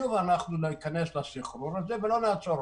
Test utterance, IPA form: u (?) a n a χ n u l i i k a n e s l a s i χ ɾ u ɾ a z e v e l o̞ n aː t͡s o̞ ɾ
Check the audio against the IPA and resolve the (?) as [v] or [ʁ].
v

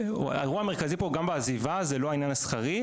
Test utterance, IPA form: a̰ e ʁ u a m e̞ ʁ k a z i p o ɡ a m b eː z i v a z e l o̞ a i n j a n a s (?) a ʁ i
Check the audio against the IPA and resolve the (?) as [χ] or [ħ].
χ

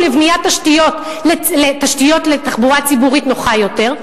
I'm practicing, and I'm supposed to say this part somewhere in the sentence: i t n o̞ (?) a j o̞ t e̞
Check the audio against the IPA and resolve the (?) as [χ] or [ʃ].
χ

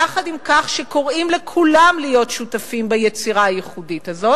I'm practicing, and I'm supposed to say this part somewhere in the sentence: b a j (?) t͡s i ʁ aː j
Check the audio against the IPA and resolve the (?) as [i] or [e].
e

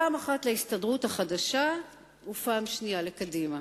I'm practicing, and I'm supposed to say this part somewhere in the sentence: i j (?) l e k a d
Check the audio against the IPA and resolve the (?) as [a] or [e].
a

